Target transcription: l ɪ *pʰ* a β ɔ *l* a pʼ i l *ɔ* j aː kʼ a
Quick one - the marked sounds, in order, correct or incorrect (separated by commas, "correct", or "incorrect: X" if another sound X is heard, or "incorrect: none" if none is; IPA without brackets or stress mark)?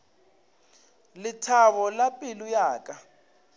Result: incorrect: tʰ, correct, incorrect: u